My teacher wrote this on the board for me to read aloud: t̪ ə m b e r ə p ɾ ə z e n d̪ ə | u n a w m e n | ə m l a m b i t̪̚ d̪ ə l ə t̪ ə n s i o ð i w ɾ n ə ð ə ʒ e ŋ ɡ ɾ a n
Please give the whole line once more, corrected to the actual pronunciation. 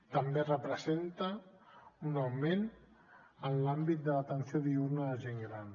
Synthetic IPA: t̪ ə m b e r ə p ɾ ə z e n t̪ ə | u n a w m e n | ə n l a m b i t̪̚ d̪ ə l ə t̪ ə n s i o ð i u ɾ n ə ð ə ʒ e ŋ ɡ ɾ a n